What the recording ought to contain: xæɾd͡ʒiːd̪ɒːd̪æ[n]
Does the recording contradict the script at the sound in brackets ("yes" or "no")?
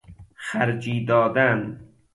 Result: no